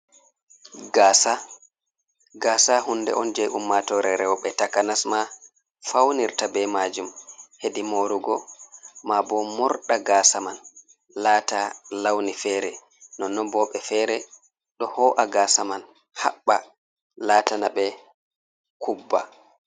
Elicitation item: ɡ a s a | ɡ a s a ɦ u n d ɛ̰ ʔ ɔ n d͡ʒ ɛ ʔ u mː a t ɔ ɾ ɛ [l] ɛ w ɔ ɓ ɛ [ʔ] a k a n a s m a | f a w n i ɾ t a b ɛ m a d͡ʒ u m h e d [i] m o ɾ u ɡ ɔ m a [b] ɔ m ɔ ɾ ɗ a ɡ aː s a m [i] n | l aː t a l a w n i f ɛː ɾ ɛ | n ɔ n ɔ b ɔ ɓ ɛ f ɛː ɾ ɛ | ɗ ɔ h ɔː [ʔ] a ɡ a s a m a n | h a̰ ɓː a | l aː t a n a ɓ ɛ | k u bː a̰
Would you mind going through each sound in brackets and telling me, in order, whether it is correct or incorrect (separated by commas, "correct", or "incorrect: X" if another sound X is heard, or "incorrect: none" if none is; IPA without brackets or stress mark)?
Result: incorrect: ɾ, incorrect: t, correct, correct, incorrect: a, correct